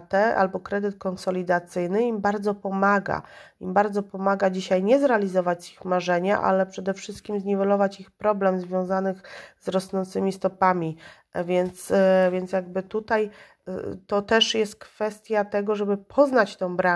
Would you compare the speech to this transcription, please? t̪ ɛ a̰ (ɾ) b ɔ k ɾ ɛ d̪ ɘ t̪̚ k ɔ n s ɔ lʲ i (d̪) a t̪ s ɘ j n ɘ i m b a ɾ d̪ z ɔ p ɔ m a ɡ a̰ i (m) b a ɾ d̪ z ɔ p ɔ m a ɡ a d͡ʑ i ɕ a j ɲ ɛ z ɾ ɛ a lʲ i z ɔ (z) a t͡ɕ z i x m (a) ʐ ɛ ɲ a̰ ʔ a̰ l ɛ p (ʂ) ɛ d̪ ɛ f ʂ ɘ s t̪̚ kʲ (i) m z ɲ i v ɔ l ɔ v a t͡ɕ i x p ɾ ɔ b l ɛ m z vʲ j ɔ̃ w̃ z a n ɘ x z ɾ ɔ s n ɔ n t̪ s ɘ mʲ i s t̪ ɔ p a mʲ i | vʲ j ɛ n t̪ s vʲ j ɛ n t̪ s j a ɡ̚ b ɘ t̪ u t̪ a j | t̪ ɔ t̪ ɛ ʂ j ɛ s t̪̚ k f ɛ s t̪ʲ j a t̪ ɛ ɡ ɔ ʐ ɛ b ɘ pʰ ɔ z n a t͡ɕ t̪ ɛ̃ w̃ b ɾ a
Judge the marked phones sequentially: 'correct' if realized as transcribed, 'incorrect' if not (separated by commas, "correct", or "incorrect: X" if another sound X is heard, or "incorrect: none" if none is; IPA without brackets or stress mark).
incorrect: l, correct, correct, incorrect: v, correct, correct, correct